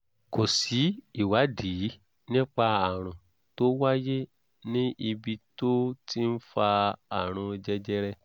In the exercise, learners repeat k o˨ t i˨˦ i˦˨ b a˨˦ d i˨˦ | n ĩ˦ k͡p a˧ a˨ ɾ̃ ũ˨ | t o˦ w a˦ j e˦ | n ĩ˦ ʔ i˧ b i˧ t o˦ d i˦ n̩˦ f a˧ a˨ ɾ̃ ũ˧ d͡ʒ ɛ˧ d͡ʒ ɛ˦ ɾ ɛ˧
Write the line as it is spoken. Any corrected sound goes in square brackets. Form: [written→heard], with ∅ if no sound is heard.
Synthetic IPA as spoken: k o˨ [t→s] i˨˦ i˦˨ [b→w] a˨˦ d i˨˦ | n ĩ˦ k͡p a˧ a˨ ɾ̃ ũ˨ | t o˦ w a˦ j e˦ | n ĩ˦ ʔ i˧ b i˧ t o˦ [d→t] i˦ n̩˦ f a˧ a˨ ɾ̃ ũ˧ d͡ʒ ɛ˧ d͡ʒ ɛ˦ ɾ ɛ˧